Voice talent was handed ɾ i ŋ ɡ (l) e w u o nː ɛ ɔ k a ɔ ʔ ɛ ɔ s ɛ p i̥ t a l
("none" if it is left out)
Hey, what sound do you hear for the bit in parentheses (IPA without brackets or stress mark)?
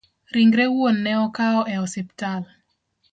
ɾ